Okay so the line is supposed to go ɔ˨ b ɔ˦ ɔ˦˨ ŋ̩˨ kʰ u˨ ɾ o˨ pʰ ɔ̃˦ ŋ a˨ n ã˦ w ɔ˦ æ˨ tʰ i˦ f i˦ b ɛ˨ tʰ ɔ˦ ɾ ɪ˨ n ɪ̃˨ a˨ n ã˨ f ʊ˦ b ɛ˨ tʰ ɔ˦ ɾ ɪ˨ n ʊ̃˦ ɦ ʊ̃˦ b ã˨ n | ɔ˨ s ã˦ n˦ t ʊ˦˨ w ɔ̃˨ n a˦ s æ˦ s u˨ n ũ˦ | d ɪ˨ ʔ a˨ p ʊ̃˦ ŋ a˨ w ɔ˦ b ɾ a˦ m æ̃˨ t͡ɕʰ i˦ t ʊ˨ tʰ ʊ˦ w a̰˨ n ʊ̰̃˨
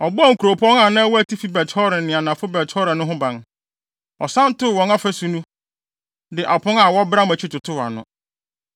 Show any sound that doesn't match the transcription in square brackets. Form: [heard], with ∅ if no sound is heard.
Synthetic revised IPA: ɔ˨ b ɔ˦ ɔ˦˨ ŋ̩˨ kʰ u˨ ɾ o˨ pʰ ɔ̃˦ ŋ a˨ n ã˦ w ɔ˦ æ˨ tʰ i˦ f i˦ b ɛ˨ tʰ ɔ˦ ɾ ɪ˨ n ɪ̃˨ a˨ n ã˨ f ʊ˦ b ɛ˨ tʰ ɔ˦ ɾ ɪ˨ n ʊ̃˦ ɦ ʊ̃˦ b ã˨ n | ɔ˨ s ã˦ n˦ t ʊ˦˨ w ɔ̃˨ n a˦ [f] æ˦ s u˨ n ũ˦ | d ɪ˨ ʔ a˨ p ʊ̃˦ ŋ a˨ w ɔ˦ b ɾ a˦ m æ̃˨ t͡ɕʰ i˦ t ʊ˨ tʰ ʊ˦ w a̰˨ n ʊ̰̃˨